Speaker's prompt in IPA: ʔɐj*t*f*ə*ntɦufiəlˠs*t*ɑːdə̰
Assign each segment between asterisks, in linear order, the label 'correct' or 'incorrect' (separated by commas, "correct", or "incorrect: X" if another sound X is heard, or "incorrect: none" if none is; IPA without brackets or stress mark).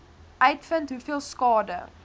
correct, correct, incorrect: k